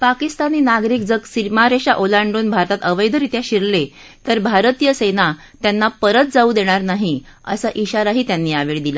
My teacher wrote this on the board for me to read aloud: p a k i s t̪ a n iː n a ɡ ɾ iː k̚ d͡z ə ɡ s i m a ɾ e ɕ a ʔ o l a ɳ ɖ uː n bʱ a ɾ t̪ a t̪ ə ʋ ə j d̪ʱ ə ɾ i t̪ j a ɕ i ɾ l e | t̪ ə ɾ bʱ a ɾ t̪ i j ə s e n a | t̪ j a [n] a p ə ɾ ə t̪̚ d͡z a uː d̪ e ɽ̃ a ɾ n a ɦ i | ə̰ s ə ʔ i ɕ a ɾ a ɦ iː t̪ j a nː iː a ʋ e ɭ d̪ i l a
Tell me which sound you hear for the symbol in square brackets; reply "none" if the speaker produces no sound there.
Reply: nː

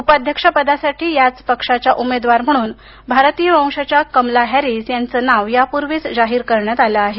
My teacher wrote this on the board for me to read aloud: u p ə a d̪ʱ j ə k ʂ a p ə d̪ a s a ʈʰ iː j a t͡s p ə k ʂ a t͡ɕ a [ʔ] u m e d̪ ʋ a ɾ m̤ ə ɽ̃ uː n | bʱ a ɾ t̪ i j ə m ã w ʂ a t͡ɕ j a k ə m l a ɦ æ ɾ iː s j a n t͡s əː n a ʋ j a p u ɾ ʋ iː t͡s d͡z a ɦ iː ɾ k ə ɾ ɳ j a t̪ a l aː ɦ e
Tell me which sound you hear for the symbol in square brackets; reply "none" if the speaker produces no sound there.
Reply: ʔ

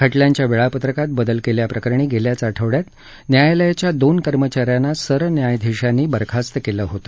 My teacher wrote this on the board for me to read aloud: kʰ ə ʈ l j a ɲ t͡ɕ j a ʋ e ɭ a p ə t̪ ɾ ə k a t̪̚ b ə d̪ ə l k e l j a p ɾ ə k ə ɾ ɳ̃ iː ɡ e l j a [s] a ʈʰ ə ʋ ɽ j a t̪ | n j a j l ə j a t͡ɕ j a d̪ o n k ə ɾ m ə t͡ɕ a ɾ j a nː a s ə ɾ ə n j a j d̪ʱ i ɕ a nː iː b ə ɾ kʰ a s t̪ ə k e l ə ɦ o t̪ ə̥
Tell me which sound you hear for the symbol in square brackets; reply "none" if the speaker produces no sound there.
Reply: t͡s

